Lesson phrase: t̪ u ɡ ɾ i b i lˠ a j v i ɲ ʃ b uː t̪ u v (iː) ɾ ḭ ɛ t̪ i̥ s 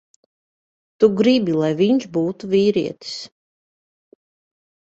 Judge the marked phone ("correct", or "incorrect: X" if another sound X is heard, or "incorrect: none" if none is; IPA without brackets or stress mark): correct